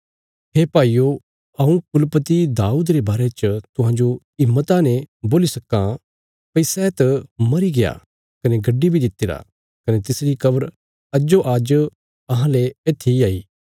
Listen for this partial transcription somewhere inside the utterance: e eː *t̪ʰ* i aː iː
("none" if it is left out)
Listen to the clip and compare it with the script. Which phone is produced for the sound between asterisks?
t̪ʰ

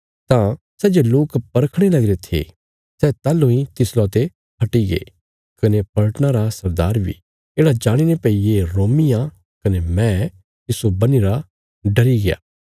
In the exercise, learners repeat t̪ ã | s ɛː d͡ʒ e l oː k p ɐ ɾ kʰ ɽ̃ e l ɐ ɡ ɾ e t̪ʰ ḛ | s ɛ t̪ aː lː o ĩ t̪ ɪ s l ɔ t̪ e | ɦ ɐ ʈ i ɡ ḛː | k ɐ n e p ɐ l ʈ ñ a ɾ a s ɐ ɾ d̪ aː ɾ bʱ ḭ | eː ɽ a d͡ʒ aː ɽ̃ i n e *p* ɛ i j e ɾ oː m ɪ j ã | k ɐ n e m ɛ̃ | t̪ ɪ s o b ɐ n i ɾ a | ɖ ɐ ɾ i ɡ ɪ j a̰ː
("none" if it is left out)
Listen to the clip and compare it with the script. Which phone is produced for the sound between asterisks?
p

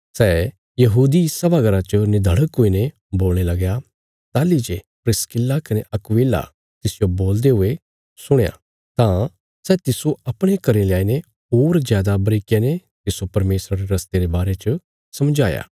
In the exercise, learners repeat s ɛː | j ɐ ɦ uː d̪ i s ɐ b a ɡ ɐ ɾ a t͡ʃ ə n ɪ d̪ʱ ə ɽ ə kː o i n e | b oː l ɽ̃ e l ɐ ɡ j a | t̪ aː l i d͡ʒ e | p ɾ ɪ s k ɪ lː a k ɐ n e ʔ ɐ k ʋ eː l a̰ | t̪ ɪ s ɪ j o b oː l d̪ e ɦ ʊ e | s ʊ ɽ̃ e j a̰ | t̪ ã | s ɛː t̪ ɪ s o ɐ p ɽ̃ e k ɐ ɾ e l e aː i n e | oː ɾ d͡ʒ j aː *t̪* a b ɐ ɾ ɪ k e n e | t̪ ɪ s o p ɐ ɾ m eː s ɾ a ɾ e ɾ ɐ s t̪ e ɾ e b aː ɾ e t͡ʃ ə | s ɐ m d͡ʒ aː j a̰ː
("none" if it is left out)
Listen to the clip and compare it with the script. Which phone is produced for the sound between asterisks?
d̪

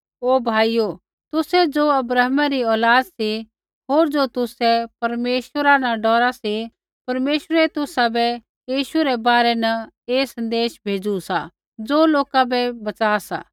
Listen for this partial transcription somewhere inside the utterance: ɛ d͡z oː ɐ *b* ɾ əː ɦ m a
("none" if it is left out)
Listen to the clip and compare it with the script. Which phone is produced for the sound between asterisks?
b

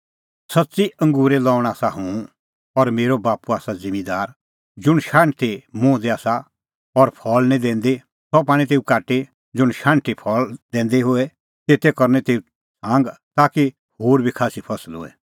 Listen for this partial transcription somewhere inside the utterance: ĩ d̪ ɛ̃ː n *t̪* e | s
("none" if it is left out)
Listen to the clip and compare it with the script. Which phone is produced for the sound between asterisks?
d̪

